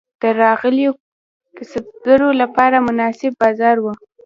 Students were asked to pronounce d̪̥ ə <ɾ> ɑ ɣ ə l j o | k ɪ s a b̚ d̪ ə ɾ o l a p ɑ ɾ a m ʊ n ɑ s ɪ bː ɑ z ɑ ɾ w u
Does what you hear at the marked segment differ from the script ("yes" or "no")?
no